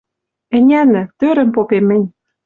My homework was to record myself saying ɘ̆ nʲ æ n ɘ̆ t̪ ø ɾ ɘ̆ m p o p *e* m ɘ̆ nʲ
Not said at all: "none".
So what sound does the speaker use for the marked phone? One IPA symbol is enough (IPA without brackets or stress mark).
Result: e